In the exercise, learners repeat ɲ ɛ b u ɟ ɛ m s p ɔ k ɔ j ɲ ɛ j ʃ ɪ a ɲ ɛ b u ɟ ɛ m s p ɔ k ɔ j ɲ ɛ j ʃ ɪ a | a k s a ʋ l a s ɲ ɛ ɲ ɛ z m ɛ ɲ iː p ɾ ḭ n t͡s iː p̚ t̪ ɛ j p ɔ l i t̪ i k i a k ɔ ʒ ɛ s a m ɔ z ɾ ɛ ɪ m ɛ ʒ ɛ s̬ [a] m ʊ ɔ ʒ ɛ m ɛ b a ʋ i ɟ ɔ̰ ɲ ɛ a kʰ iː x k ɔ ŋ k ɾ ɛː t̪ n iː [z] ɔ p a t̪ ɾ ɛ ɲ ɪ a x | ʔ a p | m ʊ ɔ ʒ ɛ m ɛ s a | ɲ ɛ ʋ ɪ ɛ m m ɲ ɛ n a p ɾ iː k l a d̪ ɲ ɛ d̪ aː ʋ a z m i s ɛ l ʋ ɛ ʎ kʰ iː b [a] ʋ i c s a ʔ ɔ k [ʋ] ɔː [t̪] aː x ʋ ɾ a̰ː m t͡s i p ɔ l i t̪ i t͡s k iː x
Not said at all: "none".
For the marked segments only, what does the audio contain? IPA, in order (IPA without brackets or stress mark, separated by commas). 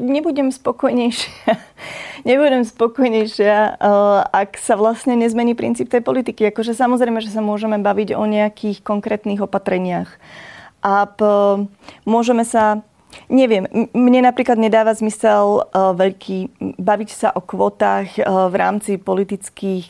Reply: a, ɣ, a, ʋ, t̪